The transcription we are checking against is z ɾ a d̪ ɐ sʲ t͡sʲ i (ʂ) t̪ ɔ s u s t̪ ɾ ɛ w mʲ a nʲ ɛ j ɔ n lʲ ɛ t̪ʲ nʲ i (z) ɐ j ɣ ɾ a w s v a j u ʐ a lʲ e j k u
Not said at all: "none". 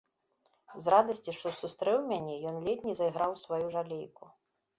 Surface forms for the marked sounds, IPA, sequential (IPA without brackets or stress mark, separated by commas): ʂ, z